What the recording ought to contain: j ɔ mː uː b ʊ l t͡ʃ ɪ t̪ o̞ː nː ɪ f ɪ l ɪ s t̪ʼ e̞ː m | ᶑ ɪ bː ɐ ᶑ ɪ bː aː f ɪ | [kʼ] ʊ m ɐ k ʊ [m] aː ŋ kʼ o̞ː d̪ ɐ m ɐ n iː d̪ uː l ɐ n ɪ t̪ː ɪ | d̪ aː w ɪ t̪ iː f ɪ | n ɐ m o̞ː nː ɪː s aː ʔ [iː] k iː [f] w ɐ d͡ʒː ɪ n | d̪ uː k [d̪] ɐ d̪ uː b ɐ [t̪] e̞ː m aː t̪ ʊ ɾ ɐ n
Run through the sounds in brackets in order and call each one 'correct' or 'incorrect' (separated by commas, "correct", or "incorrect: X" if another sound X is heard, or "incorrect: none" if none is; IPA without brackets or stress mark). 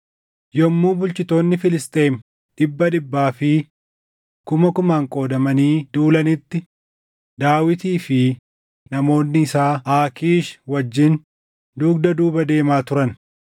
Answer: incorrect: k, correct, incorrect: aː, incorrect: ʃ, correct, incorrect: d̪